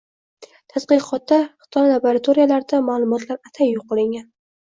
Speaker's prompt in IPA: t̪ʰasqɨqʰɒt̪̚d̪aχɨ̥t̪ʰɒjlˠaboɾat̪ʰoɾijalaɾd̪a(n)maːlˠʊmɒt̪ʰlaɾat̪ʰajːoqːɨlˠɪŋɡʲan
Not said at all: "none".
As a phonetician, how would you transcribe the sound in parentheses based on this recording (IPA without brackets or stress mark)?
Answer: none